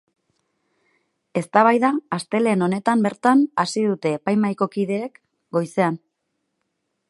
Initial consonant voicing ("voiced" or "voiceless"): voiceless